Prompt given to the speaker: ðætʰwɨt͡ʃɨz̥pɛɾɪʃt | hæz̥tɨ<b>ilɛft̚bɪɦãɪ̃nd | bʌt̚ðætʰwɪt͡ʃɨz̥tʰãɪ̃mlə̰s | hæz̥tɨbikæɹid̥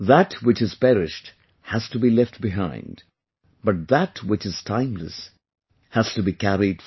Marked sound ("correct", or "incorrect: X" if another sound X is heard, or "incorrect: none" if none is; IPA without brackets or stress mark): correct